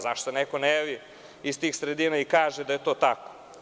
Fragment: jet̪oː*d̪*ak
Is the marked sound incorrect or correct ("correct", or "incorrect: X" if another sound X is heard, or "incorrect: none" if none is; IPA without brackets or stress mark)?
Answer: incorrect: t̪